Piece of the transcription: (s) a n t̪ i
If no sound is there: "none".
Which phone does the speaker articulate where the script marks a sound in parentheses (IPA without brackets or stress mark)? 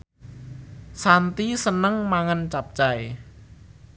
s